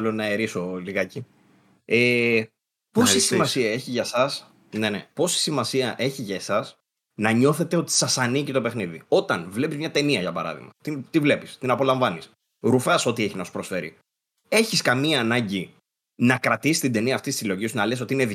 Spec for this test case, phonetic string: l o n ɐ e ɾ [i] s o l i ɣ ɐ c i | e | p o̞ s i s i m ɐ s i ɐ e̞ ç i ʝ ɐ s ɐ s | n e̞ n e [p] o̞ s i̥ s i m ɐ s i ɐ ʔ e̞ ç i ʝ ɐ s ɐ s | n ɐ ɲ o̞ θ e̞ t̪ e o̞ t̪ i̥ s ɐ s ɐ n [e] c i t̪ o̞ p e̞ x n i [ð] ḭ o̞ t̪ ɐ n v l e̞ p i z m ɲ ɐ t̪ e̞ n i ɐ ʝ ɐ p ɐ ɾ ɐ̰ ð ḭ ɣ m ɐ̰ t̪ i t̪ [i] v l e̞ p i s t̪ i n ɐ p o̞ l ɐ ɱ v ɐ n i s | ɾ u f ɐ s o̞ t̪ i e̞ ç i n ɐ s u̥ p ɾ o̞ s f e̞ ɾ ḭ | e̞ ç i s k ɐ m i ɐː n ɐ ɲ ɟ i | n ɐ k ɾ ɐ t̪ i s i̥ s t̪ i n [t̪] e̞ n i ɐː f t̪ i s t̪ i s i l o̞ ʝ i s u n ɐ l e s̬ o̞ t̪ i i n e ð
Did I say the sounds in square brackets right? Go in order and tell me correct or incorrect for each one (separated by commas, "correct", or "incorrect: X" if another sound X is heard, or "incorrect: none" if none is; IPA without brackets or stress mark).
correct, correct, incorrect: i, correct, correct, incorrect: d̪